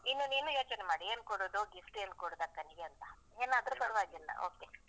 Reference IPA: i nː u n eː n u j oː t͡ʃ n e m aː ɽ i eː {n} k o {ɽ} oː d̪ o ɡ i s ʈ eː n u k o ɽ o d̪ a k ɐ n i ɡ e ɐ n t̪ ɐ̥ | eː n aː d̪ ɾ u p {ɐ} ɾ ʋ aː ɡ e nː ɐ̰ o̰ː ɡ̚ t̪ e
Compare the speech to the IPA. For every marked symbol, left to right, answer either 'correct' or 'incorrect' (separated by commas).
correct, correct, correct